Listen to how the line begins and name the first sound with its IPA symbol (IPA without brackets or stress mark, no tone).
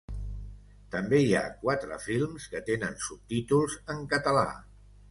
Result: t̪